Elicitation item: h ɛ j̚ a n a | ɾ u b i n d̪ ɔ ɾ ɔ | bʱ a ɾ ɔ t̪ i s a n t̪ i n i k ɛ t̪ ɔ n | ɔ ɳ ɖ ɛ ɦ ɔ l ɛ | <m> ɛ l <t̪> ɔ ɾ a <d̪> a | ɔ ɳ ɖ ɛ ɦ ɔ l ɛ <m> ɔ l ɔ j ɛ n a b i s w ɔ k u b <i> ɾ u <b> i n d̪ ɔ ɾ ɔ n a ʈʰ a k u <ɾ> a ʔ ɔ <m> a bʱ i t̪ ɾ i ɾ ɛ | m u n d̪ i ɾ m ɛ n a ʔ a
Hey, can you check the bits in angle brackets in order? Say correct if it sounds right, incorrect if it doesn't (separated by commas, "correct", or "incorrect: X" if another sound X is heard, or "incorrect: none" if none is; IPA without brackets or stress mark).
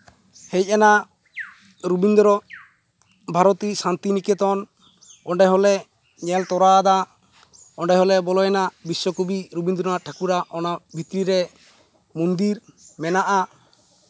incorrect: ɲ, correct, correct, incorrect: b, correct, correct, correct, incorrect: n